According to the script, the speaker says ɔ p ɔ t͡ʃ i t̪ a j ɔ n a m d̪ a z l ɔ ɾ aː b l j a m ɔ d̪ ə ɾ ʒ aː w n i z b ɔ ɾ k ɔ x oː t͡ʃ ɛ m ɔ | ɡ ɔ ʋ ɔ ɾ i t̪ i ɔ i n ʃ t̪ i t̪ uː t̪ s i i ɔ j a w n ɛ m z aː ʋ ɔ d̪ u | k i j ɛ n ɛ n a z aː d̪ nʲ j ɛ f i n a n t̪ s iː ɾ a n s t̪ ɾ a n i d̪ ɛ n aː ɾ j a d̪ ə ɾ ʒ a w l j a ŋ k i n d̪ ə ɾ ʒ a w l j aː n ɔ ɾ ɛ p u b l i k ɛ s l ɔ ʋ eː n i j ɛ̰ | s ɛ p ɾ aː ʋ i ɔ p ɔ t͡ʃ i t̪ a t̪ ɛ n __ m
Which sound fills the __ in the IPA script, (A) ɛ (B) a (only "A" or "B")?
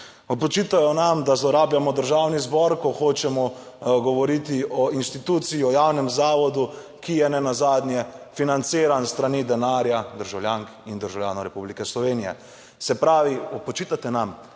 B